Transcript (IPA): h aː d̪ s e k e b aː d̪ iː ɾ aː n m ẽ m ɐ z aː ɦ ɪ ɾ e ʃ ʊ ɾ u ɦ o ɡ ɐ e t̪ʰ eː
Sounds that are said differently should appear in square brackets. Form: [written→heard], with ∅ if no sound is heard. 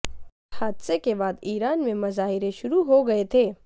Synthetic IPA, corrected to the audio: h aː d̪ s e k e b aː d̪ iː ɾ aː n m ẽ m ɐ z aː ɦ ɪ ɾ e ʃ ʊ ɾ u ɦ o ɡ ɐ e t̪ʰ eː